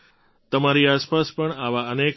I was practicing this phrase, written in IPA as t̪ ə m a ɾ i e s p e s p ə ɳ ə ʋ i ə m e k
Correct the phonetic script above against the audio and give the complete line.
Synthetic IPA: t̪ ə m a ɾ i a s p a s p ə ɳ a ʋ a ə n e k